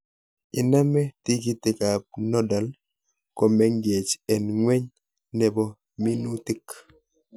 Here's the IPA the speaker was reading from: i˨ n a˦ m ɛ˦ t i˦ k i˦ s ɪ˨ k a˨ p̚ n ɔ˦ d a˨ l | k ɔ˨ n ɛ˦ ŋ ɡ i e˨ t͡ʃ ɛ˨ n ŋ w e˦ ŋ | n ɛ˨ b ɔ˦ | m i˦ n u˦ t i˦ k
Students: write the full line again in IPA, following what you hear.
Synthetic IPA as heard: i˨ n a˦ m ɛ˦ t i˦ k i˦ t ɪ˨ k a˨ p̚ n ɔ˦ d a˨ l | k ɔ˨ m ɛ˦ ŋ ɡ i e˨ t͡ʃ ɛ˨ n ŋ w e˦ ɲ | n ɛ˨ b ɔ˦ | m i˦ n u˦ t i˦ k